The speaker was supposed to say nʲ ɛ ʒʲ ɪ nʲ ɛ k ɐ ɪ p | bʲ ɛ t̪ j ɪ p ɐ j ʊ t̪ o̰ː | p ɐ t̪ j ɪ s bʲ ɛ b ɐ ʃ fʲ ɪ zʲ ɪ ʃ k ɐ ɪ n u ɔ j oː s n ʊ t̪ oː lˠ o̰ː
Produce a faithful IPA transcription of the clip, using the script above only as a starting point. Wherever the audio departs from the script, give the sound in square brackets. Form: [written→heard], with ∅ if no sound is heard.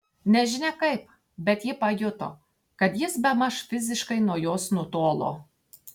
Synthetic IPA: nʲ ɛ ʒʲ ɪ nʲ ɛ k ɐ ɪ p | bʲ ɛ t̪ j ɪ p ɐ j ʊ t̪ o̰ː | [p→k] ɐ t̪ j ɪ s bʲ ɛ [b→m] ɐ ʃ fʲ ɪ zʲ ɪ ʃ k ɐ ɪ n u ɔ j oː s n ʊ t̪ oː lˠ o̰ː